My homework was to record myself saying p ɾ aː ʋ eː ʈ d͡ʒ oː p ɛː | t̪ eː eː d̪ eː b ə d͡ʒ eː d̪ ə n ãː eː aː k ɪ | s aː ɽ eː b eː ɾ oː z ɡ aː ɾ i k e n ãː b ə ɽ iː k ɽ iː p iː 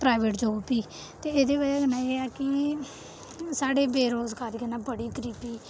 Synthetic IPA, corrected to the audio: p ɾ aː ʋ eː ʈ d͡ʒ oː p iː | t̪ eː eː d̪ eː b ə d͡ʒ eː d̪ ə n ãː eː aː k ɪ | s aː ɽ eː b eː ɾ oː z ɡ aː ɾ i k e n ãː b ə ɽ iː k ɾ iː p iː